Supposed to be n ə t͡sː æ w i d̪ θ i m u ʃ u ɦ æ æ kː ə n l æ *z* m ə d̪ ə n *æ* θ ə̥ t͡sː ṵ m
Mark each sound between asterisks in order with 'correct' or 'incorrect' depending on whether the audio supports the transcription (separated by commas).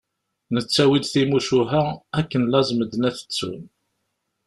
correct, correct